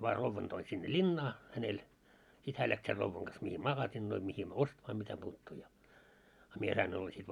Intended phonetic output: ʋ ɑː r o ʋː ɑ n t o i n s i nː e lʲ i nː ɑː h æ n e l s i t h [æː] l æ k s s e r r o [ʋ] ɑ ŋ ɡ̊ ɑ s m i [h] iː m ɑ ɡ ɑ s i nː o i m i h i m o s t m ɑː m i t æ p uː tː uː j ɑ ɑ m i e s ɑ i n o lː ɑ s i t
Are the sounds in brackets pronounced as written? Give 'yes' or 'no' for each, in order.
yes, no, yes

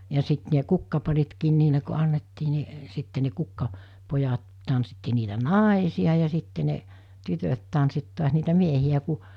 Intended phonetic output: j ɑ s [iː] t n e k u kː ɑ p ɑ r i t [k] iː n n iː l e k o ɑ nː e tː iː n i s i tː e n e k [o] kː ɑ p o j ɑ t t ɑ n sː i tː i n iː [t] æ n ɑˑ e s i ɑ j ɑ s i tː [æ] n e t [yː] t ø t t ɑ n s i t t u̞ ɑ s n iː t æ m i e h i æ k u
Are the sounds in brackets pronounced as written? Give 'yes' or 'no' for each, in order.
no, yes, no, yes, no, no

